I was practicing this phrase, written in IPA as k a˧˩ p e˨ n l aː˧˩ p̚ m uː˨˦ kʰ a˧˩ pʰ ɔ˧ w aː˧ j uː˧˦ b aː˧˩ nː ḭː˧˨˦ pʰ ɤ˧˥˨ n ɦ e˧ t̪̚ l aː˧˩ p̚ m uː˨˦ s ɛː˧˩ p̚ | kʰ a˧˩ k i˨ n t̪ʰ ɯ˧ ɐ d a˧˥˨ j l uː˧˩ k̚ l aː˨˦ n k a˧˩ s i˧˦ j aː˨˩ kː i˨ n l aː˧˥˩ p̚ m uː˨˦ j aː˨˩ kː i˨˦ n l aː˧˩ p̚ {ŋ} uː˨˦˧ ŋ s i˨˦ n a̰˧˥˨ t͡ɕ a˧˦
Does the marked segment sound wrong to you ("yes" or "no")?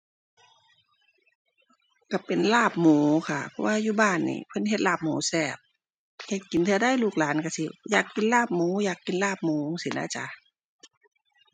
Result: yes